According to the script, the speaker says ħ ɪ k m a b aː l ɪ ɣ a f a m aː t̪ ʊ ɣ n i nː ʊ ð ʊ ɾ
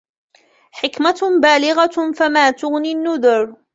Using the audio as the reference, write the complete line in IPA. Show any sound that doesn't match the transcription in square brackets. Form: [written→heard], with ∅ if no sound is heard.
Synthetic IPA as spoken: ħ ɪ k m a b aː l ɪ ɣ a f a m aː t̪ ʊ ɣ n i nː ʊ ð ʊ ɾ